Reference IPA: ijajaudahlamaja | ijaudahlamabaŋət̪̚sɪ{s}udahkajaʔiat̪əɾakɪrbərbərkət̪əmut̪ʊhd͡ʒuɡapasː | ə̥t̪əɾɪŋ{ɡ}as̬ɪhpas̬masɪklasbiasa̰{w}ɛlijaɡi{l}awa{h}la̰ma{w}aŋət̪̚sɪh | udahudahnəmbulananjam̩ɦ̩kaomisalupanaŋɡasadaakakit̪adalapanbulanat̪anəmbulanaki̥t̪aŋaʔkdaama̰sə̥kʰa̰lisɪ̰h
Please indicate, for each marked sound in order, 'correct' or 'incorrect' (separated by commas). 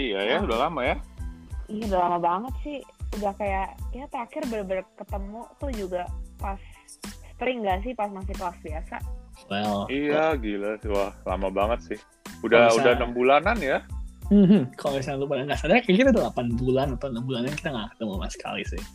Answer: incorrect, correct, correct, correct, correct, incorrect